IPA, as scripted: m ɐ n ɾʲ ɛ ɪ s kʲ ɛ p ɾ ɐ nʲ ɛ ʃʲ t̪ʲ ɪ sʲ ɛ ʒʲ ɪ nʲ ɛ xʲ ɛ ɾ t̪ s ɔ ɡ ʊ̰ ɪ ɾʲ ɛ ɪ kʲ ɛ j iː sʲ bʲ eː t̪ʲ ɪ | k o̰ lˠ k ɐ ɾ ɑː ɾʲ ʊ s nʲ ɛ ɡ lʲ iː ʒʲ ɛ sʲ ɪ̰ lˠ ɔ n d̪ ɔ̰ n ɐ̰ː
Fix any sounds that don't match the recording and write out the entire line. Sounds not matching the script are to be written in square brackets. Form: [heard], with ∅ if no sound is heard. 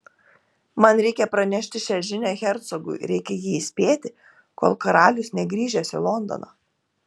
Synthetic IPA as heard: m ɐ n ɾʲ ɛ ɪ [∅] kʲ ɛ p ɾ ɐ nʲ ɛ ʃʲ t̪ʲ ɪ [ʃʲ] ɛ ʒʲ ɪ nʲ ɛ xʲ ɛ ɾ t̪ s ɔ ɡ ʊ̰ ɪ ɾʲ ɛ ɪ kʲ ɛ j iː sʲ [pʲ] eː t̪ʲ ɪ | k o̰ lˠ k ɐ ɾ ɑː [lʲ] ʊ s nʲ ɛ ɡ [ɾʲ] iː ʒʲ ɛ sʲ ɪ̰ lˠ ɔ n d̪ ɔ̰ n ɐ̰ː